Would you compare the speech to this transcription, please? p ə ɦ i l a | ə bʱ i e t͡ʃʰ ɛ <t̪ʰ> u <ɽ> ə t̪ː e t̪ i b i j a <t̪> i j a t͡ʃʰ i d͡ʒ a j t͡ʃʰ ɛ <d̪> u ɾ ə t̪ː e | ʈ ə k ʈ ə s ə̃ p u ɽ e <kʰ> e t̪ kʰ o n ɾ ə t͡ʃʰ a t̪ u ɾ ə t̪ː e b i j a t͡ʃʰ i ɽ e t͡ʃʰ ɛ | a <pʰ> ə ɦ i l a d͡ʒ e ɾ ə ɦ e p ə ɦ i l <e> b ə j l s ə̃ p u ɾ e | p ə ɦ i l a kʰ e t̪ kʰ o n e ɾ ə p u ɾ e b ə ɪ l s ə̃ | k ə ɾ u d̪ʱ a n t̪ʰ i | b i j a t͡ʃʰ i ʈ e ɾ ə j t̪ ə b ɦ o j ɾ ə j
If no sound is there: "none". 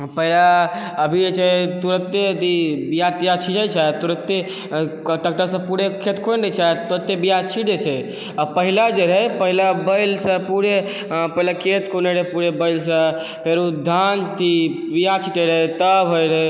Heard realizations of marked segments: t̪, ɾ, t̪, t̪, kʰ, p, a

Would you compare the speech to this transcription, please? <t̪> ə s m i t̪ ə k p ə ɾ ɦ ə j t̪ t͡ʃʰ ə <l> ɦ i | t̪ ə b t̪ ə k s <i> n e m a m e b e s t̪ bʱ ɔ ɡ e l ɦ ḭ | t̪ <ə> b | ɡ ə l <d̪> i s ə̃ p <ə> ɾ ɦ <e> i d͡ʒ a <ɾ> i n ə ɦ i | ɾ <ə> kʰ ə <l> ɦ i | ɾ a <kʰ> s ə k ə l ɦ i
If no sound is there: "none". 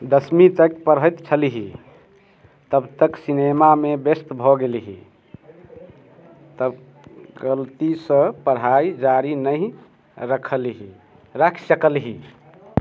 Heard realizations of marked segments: d̪, l, i, ə, t̪, ə, a, ɾ, ə, l, kʰ

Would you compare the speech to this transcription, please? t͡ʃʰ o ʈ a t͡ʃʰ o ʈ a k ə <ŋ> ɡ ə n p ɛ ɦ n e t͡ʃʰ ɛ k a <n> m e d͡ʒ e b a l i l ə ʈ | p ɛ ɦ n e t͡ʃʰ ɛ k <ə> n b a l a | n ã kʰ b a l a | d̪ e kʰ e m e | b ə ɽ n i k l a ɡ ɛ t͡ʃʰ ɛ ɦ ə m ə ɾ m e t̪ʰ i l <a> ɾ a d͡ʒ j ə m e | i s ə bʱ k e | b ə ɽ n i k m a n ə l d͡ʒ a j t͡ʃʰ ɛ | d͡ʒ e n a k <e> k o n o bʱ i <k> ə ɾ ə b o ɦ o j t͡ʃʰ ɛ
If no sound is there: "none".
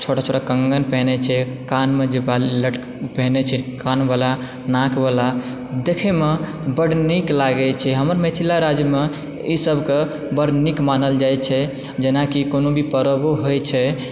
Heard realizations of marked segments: ŋ, n, a, a, i, p

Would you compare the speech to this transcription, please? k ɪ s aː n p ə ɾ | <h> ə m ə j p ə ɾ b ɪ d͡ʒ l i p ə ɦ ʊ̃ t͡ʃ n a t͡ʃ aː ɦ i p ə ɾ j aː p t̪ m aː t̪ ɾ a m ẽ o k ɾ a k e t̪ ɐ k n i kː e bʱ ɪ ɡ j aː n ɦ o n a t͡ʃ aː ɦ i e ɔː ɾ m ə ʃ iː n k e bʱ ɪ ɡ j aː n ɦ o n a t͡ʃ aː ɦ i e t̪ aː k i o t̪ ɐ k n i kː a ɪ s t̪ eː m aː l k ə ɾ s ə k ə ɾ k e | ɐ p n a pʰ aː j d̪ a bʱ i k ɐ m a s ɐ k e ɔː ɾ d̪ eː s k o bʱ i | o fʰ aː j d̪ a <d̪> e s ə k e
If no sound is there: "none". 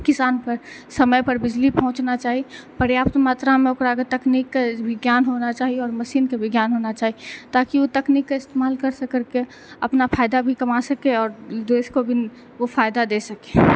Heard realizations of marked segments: s, d̪

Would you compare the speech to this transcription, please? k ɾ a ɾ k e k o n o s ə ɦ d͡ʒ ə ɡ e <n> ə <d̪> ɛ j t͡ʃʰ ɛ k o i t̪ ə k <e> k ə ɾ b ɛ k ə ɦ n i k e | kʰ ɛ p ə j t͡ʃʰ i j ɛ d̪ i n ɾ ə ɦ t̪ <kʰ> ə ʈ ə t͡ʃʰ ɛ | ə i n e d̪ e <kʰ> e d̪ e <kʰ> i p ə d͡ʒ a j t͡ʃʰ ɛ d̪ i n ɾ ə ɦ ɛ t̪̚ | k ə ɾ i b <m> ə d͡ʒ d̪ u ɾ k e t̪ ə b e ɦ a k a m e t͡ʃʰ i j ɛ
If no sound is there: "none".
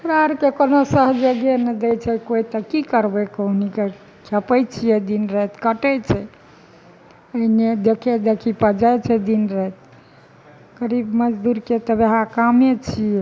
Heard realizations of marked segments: n, d̪, i, k, kʰ, kʰ, m

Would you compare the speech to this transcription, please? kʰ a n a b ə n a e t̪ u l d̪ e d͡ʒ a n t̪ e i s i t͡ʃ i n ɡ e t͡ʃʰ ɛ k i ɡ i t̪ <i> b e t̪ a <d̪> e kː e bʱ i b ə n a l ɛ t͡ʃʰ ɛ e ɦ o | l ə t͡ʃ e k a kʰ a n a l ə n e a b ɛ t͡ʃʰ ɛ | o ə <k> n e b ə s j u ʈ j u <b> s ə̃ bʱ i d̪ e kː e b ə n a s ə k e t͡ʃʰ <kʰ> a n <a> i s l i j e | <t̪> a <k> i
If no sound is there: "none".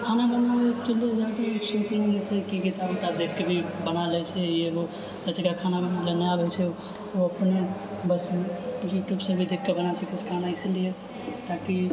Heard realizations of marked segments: a, d̪, p, b, kʰ, a, t̪, k

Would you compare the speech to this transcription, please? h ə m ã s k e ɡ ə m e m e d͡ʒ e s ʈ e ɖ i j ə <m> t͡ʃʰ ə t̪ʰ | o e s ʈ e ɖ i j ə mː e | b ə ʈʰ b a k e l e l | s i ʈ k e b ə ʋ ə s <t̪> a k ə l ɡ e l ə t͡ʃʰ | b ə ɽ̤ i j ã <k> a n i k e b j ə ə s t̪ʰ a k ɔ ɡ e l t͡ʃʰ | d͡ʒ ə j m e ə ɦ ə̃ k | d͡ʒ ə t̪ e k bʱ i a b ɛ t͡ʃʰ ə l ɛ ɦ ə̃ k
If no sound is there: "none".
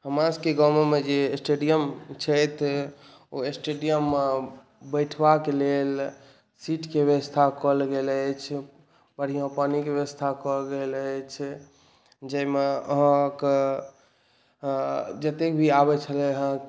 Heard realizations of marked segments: m, t̪ʰ, p

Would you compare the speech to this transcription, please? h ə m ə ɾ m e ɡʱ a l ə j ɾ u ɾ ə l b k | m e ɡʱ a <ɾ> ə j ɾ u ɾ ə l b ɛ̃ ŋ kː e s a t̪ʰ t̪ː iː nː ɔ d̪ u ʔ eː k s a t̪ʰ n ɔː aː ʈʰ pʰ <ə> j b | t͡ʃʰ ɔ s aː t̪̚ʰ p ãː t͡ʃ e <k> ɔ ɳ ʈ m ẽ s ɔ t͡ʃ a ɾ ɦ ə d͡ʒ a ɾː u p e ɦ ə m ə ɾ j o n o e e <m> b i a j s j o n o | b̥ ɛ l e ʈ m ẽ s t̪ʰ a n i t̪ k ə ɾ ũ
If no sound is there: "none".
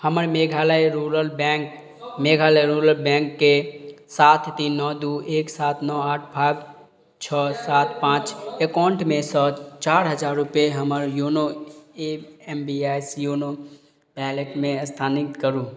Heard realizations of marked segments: l, a, k, m

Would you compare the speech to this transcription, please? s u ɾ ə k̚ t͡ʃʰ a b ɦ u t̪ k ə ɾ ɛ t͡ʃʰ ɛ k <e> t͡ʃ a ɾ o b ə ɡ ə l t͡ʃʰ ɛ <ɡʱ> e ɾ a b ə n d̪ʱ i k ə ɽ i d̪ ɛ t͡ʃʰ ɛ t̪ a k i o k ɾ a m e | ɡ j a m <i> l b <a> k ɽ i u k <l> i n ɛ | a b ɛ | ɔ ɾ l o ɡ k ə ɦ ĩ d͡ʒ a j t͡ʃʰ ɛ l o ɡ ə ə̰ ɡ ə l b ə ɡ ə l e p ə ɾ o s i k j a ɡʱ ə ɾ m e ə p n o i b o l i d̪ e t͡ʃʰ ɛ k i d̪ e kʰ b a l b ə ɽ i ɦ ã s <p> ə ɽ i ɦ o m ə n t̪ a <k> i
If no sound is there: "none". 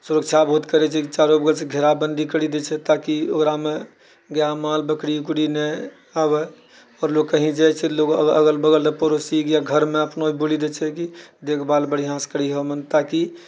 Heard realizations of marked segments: i, ɡʱ, a, ə, ɽ, k, k

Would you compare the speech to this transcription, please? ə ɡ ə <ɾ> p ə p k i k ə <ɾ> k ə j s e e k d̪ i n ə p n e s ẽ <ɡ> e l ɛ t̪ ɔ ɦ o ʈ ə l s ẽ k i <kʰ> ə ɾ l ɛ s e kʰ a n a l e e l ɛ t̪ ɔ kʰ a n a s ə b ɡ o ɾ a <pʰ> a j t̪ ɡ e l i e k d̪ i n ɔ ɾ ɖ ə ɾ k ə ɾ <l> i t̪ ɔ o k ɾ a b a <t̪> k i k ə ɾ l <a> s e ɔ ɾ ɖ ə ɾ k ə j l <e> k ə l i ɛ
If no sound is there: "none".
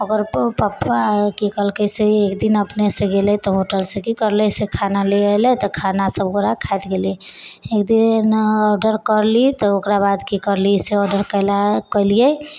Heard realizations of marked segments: ɾ, l, ɡ, k, kʰ, l, d̪, i, a

